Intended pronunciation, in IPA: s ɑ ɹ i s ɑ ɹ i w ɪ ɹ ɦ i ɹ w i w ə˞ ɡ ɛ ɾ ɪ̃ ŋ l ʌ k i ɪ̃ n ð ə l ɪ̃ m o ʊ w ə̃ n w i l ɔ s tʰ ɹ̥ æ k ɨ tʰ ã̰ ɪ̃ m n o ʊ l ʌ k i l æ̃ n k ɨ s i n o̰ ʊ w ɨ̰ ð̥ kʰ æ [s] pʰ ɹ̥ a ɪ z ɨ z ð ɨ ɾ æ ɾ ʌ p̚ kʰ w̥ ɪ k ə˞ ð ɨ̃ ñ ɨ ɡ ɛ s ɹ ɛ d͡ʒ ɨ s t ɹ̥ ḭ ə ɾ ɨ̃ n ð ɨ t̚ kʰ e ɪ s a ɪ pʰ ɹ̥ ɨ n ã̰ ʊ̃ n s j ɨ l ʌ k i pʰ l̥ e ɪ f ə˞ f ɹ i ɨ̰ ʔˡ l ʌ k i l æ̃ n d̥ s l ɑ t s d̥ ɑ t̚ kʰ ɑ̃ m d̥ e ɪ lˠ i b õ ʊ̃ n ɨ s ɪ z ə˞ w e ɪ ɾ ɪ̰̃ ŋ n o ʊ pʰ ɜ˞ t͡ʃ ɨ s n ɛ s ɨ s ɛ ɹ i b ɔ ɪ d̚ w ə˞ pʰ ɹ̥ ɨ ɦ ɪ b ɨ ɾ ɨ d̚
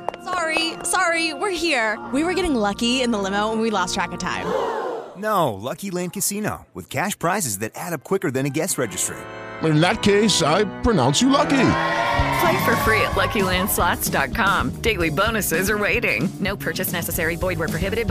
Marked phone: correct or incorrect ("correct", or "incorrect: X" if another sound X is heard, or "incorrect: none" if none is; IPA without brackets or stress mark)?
incorrect: ʃ